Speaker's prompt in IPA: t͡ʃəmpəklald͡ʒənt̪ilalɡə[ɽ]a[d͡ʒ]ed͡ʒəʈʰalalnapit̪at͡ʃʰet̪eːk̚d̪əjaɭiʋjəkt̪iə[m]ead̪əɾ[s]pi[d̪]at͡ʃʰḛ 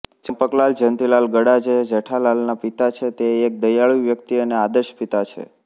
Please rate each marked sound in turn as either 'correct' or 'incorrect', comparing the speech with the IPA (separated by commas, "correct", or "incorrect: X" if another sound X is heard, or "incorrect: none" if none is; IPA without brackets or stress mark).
correct, correct, incorrect: n, incorrect: ʃ, incorrect: t̪